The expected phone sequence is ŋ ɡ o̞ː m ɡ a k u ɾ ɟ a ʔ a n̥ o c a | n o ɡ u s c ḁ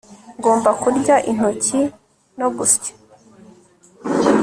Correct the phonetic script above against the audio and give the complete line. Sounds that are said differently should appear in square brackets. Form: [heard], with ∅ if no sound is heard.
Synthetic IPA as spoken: ŋ ɡ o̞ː m [b] a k u ɾ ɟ a ʔ [i] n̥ o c [i] | n o ɡ u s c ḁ